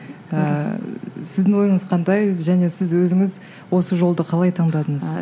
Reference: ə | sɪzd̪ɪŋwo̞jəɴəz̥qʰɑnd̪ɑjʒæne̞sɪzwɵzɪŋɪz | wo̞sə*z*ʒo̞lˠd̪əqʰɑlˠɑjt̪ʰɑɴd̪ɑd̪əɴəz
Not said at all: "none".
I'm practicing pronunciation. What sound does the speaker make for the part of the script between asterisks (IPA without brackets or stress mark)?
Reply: none